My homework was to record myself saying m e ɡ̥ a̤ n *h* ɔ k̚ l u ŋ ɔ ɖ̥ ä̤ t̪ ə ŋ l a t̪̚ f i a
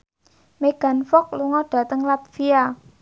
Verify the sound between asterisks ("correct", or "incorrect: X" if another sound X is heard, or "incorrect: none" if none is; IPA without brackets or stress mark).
incorrect: f